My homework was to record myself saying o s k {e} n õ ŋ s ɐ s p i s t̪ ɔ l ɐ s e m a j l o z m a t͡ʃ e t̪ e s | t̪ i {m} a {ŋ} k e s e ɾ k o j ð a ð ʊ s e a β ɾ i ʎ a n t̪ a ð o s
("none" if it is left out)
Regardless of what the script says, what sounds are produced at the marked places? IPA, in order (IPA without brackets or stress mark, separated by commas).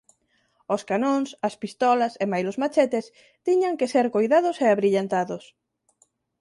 a, ɲ, ŋ